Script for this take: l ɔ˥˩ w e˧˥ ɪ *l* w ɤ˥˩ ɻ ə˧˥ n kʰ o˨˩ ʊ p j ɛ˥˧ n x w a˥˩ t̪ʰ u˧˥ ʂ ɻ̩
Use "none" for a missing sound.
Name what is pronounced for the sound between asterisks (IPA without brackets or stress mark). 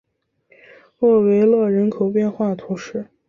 l